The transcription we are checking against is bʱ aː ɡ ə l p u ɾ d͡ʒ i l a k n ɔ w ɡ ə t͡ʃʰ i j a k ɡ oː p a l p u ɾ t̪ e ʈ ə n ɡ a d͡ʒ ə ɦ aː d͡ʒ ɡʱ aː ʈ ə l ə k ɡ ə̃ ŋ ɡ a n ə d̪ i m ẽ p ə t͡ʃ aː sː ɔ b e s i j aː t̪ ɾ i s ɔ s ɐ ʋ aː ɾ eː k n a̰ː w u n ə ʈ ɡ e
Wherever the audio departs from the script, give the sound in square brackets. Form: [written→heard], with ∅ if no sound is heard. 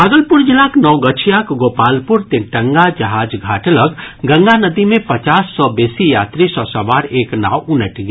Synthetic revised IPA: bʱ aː ɡ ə l p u ɾ d͡ʒ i l a k n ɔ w ɡ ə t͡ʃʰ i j a k ɡ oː p a l p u ɾ t̪ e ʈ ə [n→ŋ] ɡ a d͡ʒ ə ɦ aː d͡ʒ ɡʱ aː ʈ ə l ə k ɡ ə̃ ŋ ɡ a n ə d̪ i m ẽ p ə t͡ʃ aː sː ɔ b e s i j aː t̪ ɾ i s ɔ s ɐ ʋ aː ɾ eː k n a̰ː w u n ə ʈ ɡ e